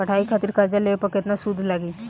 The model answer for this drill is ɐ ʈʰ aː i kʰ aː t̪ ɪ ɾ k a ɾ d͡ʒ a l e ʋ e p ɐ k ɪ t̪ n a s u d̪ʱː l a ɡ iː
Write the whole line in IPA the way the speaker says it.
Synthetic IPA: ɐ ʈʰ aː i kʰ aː t̪ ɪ ɾ k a ɾ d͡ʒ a l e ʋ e p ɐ k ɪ t̪ n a s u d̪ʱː l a ɡ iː